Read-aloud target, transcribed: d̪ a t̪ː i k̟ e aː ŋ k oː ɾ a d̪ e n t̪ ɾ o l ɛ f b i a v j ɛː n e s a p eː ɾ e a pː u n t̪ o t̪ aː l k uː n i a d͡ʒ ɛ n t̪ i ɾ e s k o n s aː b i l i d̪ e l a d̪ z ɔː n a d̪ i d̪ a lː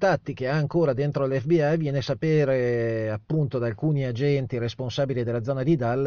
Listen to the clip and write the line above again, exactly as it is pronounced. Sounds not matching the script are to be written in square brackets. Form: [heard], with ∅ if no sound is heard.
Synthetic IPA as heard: [t̪] a t̪ː i k̟ e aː ŋ k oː ɾ a d̪ e n t̪ ɾ o l ɛ f b i a v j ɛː n e s a p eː ɾ e a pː u n t̪ o [d̪] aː l k uː n i a d͡ʒ ɛ n t̪ i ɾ e s [p] o n s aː b i l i d̪ e l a d̪ z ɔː n a d̪ i d̪ a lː